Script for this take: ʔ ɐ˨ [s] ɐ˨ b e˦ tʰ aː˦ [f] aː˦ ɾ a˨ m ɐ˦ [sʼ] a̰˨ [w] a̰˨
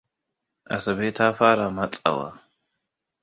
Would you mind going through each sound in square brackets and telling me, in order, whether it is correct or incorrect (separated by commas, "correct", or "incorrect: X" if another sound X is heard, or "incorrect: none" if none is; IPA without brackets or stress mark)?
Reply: correct, correct, incorrect: t͡sʼ, correct